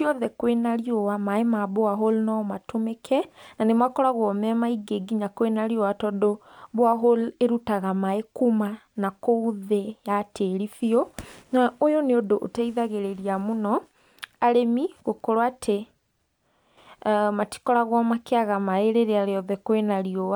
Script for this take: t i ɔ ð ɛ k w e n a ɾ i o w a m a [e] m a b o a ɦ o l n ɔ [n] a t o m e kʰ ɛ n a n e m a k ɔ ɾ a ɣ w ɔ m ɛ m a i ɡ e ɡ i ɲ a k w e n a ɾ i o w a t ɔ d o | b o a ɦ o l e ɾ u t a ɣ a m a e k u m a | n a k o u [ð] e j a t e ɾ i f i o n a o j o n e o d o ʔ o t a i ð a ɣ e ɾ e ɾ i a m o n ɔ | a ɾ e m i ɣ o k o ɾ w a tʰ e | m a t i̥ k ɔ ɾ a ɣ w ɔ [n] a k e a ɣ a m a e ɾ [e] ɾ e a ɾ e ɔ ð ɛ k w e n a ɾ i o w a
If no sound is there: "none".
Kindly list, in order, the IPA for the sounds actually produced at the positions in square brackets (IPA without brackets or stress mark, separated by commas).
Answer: e, m, ð, m, e